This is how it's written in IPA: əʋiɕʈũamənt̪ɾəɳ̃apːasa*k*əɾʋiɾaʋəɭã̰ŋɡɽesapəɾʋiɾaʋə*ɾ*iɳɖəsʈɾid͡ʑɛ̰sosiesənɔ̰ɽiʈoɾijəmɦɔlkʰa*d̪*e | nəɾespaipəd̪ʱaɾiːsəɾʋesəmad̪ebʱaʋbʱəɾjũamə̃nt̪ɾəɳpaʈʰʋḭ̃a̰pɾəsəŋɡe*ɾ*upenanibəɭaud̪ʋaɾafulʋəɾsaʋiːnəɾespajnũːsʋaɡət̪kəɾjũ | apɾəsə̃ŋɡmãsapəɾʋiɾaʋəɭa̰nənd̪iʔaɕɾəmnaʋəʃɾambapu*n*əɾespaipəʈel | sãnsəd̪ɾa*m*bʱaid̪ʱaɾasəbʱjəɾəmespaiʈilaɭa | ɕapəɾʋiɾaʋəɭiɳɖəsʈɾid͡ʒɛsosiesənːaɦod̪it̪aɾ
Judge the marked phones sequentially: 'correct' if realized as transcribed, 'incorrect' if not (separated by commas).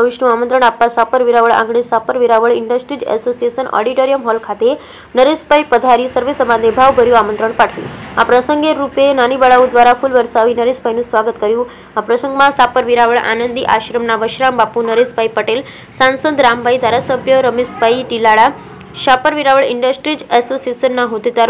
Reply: incorrect, incorrect, incorrect, correct, correct, correct